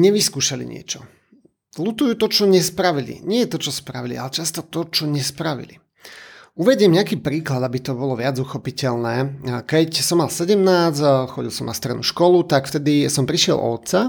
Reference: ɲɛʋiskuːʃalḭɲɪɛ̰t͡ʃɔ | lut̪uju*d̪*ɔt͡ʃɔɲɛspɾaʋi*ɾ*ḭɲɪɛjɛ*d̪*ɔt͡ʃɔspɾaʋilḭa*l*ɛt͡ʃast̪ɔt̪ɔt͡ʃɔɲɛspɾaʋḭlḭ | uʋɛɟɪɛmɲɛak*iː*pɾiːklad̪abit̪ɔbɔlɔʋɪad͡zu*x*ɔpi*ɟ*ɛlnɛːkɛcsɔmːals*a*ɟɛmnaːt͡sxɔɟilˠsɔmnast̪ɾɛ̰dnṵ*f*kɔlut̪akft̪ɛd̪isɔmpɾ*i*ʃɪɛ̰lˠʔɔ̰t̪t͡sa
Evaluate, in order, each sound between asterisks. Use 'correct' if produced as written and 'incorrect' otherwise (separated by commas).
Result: incorrect, incorrect, incorrect, correct, correct, correct, incorrect, incorrect, incorrect, correct